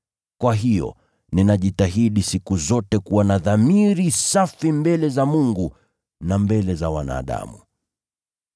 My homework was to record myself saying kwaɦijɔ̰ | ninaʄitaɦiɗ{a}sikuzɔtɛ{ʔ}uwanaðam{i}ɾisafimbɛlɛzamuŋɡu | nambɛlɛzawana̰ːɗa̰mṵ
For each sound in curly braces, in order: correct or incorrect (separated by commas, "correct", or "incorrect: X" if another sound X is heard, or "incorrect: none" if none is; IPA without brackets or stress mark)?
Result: incorrect: i, incorrect: k, correct